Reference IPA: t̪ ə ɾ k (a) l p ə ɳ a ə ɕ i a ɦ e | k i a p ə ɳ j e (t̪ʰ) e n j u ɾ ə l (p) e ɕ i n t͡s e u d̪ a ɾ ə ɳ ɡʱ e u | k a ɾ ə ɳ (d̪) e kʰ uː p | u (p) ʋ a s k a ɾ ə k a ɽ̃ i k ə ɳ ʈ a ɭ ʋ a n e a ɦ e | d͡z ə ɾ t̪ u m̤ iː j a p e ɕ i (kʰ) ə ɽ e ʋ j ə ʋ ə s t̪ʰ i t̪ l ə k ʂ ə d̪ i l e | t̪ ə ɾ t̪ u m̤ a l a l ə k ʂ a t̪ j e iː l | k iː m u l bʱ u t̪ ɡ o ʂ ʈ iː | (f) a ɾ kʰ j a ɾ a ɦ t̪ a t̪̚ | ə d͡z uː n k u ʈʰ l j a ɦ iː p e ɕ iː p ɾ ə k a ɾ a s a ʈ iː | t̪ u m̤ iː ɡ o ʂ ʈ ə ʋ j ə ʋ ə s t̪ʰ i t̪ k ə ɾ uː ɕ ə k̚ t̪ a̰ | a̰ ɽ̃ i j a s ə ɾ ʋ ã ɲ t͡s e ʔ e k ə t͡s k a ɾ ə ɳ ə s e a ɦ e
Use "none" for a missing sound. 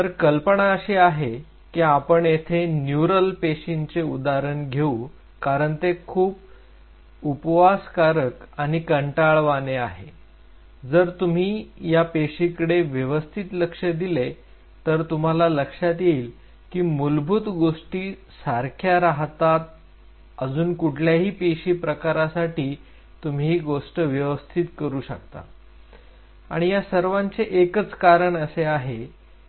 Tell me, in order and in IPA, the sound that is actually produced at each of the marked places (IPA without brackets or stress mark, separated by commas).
ə, t̪ʰ, p, t̪, p, k, s